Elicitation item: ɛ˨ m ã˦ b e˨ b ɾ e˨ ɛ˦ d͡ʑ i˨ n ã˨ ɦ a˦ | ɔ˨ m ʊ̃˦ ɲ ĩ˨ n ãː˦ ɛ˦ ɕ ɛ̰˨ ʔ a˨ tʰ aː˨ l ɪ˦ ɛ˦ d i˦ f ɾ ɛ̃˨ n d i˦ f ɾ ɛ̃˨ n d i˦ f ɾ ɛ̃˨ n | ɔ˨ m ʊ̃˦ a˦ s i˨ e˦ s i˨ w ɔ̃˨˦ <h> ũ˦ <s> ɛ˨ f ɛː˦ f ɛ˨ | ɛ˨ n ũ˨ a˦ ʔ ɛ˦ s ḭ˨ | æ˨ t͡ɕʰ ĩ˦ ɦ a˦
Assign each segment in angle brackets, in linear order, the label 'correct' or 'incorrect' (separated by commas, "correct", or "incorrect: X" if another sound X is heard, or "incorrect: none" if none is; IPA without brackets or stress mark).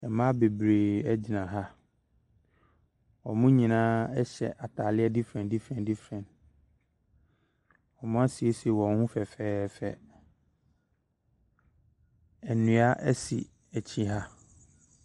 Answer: correct, incorrect: f